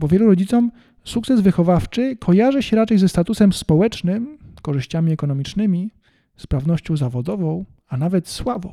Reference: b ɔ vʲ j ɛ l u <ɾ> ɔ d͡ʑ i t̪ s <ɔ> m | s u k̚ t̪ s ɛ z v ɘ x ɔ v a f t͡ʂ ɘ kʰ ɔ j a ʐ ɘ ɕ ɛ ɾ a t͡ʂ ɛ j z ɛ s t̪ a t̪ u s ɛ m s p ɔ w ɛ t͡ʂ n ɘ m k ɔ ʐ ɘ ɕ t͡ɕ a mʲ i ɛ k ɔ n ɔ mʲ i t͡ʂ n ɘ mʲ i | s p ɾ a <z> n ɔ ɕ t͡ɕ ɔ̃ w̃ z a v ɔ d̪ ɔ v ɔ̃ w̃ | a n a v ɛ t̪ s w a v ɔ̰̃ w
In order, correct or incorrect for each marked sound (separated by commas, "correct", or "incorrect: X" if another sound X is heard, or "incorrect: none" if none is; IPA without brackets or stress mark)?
correct, correct, incorrect: v